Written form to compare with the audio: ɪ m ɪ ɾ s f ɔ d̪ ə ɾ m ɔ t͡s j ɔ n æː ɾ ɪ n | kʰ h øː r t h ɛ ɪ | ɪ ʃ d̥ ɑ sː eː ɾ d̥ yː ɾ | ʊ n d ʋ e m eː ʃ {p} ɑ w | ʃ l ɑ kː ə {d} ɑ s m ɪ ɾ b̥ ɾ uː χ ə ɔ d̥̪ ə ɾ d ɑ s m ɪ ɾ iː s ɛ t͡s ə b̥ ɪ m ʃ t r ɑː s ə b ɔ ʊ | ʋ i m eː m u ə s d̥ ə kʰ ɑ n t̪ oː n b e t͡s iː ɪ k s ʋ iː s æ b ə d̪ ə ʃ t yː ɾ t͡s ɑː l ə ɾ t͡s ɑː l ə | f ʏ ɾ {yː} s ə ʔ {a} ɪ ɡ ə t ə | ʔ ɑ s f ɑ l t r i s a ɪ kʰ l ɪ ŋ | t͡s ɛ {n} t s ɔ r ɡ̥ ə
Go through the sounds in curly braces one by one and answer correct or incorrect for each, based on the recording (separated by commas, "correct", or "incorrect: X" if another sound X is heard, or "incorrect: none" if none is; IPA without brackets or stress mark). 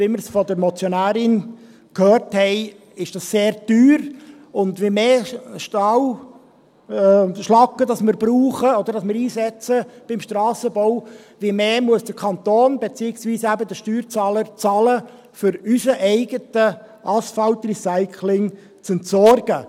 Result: incorrect: t, correct, incorrect: y, incorrect: ɛ, correct